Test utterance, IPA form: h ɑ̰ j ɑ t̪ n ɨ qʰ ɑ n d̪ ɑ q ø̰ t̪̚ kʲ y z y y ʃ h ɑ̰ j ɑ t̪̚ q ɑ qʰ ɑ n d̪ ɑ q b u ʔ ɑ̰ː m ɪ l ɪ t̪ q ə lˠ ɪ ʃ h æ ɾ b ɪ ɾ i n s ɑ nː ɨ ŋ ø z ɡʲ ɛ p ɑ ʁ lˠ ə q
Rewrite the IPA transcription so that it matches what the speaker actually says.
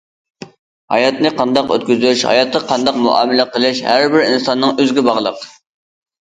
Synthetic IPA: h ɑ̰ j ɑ t̪ n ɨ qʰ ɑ n d̪ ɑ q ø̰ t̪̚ kʲ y z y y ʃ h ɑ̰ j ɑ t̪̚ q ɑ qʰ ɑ n d̪ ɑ q m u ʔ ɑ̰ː m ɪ l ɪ q ə lˠ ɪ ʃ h æ ɾ b ɪ ɾ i n s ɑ nː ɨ ŋ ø z ɡʲ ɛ b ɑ ʁ lˠ ə q